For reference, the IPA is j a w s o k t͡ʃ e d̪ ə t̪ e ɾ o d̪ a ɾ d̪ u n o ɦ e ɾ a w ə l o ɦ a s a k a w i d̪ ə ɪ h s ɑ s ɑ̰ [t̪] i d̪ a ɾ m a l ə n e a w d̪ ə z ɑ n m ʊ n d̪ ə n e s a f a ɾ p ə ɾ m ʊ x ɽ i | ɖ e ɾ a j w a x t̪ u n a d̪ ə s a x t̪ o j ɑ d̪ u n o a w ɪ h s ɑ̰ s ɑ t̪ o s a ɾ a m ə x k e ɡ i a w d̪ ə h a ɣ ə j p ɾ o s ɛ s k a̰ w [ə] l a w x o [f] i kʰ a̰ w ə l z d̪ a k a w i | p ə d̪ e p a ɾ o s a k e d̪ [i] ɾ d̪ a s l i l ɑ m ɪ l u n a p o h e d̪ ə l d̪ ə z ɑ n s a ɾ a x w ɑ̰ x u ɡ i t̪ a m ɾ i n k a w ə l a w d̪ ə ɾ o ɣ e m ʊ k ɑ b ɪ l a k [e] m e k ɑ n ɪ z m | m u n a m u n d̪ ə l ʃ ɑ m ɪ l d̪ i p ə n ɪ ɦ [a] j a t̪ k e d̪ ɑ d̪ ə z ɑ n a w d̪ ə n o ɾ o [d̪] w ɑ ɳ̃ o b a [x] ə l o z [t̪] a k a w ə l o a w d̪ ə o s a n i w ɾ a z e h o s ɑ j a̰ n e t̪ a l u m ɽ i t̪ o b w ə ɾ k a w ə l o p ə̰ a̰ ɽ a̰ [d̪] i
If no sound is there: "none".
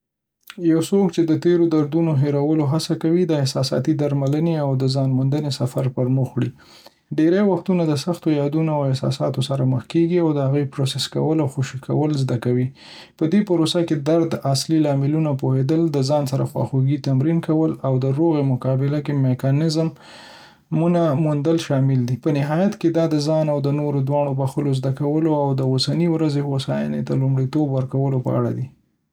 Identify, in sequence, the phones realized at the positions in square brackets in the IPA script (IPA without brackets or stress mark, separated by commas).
t̪, ə, ʃ, a, e, ɑ, d̪, x, d̪, d̪